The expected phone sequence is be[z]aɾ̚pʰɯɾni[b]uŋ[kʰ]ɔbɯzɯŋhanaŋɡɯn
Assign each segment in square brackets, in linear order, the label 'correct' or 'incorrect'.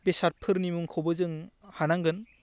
incorrect, incorrect, correct

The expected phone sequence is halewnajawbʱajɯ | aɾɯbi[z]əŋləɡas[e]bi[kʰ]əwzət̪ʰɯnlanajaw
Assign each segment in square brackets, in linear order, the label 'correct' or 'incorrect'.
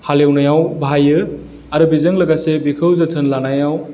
correct, correct, correct

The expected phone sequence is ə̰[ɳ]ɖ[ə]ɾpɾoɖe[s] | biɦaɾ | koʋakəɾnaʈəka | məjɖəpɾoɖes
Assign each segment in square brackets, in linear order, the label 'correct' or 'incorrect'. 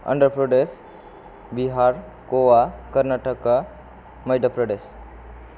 correct, correct, correct

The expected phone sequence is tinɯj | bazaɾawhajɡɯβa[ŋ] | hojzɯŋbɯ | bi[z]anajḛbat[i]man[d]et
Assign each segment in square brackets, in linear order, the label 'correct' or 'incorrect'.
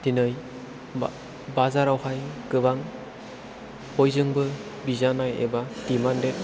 correct, correct, correct, correct

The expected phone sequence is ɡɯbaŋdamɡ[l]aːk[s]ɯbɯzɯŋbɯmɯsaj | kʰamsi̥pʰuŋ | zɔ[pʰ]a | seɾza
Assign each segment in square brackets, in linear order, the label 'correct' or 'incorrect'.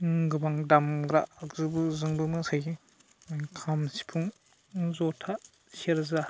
incorrect, incorrect, incorrect

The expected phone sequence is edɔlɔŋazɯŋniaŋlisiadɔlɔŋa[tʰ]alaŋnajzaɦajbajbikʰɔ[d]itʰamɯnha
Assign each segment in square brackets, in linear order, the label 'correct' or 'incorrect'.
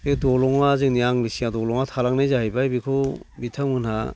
correct, incorrect

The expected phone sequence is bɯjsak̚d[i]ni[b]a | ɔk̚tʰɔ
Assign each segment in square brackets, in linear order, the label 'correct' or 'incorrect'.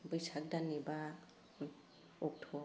incorrect, correct

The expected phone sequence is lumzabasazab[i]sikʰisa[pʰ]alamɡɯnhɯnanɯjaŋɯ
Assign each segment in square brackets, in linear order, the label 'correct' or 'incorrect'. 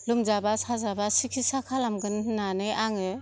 incorrect, incorrect

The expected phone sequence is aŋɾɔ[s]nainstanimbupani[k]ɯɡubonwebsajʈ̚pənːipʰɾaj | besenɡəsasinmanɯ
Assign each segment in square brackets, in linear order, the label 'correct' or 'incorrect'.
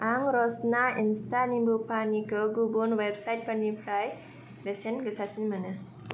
correct, correct

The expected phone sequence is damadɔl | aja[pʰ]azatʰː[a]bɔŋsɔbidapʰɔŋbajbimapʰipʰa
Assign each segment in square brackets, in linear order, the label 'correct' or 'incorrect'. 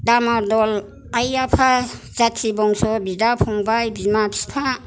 correct, incorrect

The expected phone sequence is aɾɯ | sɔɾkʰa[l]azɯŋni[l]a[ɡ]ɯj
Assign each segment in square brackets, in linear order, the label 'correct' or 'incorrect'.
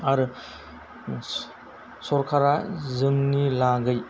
incorrect, correct, correct

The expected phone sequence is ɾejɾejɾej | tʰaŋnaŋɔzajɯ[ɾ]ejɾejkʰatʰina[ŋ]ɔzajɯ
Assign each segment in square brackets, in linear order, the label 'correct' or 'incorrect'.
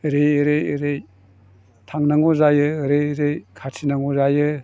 correct, correct

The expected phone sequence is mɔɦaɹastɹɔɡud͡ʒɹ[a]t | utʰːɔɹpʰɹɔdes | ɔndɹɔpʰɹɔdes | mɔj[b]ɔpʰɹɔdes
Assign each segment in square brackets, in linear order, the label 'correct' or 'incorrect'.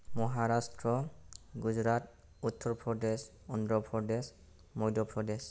correct, incorrect

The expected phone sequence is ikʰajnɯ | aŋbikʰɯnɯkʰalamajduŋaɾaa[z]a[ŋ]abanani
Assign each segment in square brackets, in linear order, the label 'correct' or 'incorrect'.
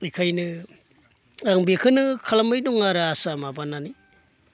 incorrect, incorrect

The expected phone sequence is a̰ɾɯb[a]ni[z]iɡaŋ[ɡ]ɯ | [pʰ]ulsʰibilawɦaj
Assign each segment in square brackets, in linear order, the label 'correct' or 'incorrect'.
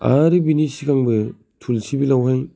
incorrect, incorrect, incorrect, incorrect

